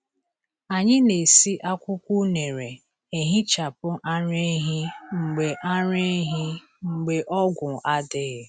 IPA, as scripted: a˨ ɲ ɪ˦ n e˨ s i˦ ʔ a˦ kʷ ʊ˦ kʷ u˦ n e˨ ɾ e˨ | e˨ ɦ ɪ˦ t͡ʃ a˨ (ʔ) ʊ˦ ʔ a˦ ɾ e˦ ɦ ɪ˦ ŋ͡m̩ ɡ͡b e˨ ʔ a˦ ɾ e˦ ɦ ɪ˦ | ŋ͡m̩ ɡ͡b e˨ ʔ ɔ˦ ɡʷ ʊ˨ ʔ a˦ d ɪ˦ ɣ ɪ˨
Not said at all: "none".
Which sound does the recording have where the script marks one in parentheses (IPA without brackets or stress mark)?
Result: p